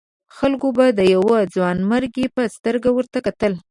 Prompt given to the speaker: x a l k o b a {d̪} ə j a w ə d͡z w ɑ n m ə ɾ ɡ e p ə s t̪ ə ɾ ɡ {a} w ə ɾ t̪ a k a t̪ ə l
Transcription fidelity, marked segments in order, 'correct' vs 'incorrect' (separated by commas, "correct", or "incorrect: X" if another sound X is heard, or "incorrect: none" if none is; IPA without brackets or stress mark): correct, correct